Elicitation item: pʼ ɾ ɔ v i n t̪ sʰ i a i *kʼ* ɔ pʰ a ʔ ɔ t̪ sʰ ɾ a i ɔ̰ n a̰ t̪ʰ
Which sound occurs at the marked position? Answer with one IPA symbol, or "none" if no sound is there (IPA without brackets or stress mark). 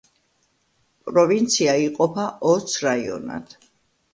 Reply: qʼ